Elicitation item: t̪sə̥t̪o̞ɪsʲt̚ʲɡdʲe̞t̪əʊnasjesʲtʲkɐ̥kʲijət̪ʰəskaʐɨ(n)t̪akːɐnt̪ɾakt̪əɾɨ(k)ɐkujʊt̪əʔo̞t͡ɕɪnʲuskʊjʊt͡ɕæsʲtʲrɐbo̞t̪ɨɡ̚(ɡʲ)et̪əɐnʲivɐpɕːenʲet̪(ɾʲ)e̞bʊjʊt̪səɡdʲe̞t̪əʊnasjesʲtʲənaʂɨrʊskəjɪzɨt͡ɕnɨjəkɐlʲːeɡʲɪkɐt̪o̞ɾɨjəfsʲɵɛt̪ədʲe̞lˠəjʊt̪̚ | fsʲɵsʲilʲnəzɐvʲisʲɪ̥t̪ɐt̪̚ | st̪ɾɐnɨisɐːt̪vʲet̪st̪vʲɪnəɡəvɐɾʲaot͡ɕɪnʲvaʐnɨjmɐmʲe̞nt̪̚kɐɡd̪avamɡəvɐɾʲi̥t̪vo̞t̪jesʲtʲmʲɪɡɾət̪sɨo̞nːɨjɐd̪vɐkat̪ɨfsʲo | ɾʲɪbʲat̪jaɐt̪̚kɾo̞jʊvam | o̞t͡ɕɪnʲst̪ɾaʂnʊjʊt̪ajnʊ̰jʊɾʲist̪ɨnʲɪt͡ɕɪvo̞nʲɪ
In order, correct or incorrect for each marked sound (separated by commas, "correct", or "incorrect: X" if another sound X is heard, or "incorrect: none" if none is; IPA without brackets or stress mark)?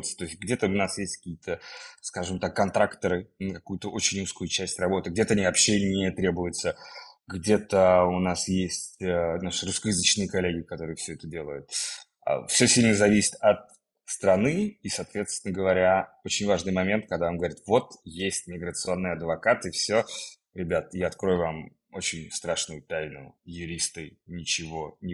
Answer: incorrect: m, correct, incorrect: dʲ, correct